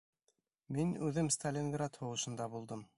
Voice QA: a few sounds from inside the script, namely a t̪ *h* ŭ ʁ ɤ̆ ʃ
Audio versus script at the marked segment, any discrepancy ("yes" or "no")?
no